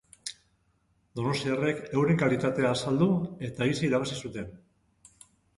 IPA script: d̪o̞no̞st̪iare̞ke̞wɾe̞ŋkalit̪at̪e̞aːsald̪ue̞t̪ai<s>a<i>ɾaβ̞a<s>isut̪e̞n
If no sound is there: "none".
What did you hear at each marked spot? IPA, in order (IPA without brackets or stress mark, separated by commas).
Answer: s, i, s